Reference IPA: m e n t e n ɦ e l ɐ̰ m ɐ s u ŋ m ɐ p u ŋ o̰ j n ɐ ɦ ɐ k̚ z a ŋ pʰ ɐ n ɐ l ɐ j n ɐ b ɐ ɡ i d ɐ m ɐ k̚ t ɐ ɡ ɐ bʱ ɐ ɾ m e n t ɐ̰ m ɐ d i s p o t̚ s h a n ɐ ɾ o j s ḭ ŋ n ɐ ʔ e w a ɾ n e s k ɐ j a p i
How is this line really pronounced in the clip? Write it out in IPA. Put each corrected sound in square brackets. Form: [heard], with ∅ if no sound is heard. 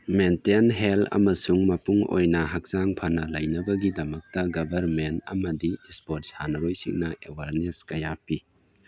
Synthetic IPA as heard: m e n t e n ɦ e l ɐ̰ m ɐ s u ŋ m ɐ p u ŋ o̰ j n ɐ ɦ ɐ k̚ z a ŋ pʰ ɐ n ɐ l ɐ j n ɐ b ɐ ɡ i d ɐ m ɐ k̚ t ɐ ɡ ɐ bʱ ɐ ɾ m e n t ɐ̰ m ɐ d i s p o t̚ s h a n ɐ ɾ o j s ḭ ŋ n ɐ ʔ e w a ɾ n e s k ɐ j a p i